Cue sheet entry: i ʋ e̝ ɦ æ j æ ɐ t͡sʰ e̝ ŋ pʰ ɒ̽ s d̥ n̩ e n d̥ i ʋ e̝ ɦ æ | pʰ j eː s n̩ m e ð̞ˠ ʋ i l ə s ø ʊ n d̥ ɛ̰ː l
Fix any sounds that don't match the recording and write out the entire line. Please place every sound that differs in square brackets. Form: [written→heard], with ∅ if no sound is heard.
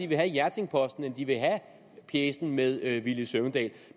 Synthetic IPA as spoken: i ʋ e̝ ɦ æ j æ ɐ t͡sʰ e̝ ŋ pʰ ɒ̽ s d̥ n̩ e n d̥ i ʋ e̝ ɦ æ | pʰ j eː s n̩ m e ð̞ˠ ʋ i l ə s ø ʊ n d̥ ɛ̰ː l